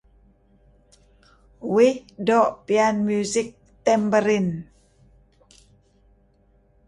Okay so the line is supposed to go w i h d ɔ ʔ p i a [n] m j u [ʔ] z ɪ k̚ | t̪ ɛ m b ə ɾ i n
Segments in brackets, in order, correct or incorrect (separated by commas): correct, incorrect